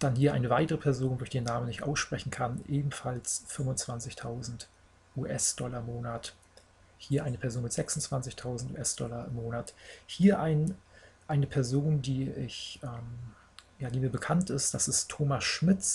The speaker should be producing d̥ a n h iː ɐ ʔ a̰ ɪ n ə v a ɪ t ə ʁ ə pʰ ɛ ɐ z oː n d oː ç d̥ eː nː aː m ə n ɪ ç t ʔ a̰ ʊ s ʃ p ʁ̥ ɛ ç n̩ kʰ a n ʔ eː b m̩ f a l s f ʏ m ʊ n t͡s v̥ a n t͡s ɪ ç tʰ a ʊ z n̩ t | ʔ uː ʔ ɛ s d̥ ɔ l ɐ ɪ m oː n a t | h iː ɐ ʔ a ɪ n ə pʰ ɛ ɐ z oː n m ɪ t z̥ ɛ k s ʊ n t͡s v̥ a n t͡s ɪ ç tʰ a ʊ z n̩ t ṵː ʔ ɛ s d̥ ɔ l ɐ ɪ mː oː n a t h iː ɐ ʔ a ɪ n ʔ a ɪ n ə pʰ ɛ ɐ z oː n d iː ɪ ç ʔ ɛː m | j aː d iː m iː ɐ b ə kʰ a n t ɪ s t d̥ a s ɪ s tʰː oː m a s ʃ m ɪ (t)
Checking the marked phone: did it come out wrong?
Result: yes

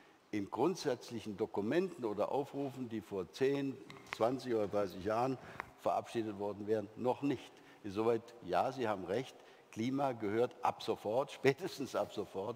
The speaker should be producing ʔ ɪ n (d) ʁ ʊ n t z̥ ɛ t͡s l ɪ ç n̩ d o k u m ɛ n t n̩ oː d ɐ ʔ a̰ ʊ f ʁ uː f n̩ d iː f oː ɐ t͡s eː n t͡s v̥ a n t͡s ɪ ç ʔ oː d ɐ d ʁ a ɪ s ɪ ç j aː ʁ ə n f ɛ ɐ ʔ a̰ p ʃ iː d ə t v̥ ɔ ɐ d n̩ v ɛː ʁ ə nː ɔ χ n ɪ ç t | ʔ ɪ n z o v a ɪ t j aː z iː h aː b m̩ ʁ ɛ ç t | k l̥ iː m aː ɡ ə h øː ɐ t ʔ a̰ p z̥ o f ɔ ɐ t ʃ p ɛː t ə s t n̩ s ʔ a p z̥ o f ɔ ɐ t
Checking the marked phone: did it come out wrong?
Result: yes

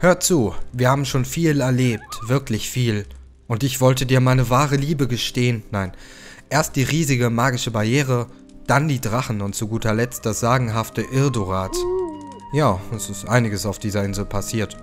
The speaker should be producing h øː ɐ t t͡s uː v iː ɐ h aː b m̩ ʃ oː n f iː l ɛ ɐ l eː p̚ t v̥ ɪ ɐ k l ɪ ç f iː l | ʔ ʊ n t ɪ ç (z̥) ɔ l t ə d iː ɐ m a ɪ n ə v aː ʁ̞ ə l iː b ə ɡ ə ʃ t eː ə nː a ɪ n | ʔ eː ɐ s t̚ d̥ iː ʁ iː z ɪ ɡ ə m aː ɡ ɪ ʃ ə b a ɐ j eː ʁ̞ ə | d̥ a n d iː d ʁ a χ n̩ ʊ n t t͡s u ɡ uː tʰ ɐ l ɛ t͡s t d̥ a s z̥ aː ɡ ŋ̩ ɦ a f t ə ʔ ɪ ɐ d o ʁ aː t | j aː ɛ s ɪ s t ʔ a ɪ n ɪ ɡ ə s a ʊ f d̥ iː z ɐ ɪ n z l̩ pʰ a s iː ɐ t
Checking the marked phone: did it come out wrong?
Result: yes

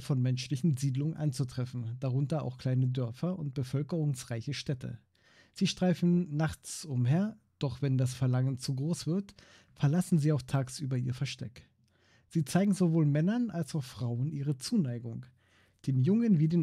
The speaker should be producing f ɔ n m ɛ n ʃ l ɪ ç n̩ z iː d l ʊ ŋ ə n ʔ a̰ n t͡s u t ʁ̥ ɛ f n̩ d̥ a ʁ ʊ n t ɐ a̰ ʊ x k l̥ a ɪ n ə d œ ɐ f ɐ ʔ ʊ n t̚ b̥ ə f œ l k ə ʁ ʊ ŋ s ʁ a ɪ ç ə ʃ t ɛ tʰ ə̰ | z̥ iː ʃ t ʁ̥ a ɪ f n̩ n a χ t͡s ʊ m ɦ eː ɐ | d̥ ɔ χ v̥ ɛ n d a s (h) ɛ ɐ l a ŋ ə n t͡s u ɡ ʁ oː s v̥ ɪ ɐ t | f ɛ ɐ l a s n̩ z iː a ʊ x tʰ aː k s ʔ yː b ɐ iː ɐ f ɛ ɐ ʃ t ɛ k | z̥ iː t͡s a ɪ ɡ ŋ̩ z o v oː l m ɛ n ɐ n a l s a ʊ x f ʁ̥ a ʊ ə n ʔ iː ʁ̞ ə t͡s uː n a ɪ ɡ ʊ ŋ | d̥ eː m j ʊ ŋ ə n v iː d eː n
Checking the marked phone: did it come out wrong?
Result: yes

